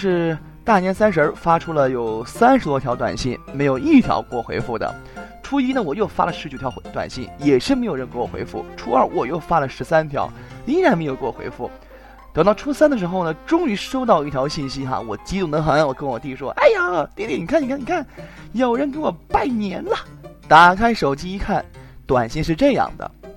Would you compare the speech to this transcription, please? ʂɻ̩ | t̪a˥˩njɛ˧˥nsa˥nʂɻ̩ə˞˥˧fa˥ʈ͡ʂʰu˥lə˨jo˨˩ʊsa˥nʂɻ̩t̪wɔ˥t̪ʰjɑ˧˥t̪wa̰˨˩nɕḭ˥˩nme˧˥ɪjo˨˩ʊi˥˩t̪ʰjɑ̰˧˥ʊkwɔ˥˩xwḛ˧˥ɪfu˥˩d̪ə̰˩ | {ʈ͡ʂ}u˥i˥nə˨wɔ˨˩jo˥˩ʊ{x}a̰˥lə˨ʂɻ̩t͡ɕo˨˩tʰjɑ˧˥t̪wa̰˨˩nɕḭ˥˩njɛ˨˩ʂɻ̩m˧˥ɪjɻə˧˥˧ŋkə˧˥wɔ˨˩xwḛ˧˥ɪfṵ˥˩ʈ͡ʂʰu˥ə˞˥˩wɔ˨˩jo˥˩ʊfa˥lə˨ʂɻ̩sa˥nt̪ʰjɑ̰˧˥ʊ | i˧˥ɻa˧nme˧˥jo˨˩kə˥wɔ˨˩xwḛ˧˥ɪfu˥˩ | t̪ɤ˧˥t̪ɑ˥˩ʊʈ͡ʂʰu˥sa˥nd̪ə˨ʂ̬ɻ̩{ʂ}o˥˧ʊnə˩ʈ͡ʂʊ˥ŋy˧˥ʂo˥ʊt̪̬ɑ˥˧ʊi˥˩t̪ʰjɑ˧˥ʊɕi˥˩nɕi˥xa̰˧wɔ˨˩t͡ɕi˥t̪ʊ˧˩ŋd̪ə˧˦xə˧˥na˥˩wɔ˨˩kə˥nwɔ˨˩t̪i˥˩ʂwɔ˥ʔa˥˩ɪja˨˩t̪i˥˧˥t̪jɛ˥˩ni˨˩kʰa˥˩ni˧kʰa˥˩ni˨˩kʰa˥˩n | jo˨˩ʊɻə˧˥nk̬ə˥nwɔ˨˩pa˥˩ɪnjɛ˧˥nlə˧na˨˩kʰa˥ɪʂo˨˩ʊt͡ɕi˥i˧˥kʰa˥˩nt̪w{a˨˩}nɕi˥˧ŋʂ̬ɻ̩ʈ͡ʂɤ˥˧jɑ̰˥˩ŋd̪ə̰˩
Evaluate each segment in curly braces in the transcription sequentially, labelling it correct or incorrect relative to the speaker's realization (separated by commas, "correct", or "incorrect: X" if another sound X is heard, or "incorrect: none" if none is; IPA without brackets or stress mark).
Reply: incorrect: ʈ͡ʂʰ, incorrect: f, incorrect: x, correct